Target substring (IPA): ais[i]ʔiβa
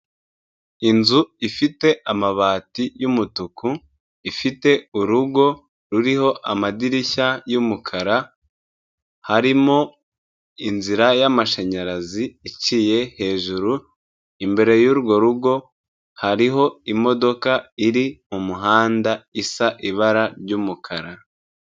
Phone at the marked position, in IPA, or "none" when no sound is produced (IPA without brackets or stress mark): a